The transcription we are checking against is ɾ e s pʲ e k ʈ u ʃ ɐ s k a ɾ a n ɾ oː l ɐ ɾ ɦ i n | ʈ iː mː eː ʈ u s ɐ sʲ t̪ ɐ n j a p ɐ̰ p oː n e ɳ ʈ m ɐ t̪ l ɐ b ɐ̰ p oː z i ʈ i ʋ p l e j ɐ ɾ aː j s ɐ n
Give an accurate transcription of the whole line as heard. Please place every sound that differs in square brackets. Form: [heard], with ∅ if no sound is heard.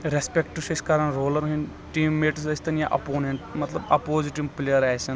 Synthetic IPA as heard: ɾ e s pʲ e k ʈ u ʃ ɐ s k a ɾ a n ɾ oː l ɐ ɾ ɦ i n | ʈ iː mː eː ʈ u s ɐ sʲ t̪ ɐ n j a [ʔ] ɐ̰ p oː n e ɳ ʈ m ɐ t̪ l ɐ b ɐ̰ p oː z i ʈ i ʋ p l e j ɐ ɾ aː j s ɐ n